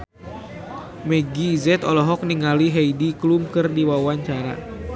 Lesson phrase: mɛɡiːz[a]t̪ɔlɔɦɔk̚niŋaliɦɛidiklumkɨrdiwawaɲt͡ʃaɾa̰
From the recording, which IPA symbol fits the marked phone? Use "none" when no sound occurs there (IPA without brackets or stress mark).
ɛ